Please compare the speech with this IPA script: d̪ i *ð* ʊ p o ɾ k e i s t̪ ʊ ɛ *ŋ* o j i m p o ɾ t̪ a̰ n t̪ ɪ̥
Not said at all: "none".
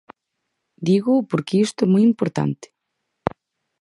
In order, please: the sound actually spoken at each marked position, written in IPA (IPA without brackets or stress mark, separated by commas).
ɣ, m